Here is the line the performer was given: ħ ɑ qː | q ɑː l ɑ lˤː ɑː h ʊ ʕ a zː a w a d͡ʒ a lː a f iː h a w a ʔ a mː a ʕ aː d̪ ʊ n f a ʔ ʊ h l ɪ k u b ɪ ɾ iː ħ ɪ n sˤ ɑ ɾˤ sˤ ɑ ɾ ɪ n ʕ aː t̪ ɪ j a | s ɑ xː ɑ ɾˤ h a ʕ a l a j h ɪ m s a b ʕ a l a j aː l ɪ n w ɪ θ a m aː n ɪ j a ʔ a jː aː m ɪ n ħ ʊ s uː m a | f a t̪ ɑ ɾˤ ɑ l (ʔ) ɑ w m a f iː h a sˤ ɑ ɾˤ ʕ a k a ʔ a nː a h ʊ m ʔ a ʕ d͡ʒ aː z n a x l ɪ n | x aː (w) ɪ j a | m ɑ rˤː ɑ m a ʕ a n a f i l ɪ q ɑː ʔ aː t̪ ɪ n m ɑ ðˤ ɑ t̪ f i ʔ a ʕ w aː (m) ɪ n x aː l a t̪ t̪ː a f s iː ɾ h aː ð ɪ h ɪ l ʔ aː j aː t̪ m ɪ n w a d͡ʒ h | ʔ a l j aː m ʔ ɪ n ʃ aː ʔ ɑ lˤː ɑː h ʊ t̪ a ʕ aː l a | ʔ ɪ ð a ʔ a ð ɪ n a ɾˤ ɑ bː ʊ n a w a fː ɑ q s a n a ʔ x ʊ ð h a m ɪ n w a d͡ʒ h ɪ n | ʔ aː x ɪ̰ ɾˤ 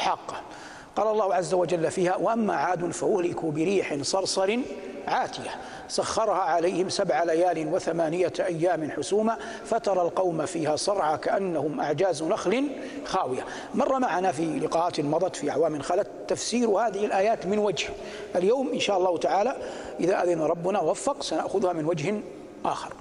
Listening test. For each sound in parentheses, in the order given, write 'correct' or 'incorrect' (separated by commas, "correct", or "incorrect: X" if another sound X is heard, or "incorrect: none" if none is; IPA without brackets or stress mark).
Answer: incorrect: q, correct, correct